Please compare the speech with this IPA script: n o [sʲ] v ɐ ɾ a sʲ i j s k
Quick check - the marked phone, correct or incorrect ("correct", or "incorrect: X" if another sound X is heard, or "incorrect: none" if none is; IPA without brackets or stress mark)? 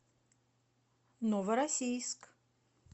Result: incorrect: none